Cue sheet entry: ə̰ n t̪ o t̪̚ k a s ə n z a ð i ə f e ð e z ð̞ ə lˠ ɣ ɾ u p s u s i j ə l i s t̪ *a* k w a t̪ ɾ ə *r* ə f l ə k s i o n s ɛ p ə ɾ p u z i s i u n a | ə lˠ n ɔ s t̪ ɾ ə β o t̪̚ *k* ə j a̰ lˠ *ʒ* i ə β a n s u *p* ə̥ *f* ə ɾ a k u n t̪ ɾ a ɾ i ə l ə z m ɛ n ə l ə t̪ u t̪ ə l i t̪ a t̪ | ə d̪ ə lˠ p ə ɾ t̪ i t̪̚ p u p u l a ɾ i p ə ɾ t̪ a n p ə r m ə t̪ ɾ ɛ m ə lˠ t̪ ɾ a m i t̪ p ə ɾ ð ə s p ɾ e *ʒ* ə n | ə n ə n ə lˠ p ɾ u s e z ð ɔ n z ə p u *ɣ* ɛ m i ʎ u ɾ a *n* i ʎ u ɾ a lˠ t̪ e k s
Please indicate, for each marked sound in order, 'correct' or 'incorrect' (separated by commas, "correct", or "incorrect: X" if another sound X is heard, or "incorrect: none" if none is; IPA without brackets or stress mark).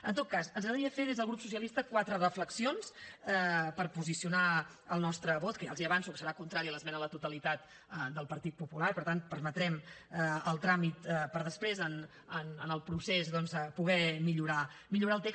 incorrect: ə, correct, correct, incorrect: z, incorrect: k, incorrect: s, incorrect: z, correct, incorrect: m